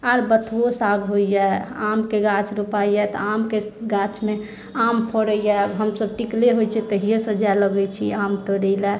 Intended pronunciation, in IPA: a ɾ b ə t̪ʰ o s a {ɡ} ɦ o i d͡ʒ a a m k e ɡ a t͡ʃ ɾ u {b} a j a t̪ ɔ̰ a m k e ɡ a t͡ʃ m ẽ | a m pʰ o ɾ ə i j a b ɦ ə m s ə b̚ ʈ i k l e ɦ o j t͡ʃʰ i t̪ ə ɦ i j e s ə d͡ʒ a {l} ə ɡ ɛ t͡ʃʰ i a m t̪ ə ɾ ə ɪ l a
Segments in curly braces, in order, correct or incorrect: correct, incorrect: p, correct

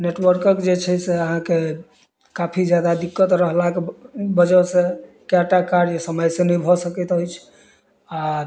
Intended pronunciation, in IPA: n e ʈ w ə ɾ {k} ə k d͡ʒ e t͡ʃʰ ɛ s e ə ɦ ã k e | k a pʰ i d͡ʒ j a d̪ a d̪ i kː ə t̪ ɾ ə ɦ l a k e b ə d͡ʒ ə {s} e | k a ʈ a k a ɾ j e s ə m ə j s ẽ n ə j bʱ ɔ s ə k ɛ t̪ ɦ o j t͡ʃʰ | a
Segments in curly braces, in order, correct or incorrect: correct, correct

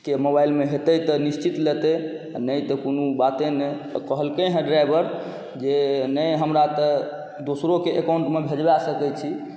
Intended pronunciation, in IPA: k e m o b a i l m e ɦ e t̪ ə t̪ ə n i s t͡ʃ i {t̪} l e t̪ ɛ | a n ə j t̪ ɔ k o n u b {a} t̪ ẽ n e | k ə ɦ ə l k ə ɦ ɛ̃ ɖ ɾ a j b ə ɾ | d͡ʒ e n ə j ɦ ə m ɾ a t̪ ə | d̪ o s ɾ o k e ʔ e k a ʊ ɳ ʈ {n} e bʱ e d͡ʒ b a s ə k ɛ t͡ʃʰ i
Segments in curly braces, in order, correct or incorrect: correct, correct, incorrect: m

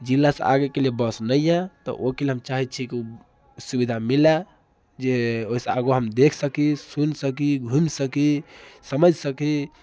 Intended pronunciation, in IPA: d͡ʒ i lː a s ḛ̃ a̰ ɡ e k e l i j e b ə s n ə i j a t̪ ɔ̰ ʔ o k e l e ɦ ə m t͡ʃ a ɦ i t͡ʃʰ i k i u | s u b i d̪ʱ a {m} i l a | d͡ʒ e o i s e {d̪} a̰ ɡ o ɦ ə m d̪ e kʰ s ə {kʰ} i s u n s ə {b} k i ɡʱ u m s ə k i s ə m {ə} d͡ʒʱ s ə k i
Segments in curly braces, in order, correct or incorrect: correct, incorrect: none, incorrect: k, incorrect: none, correct

